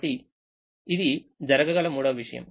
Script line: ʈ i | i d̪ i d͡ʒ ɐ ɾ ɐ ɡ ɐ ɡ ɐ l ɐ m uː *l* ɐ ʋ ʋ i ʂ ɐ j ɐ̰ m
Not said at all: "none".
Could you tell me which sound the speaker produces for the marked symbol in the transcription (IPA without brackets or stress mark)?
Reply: ɽ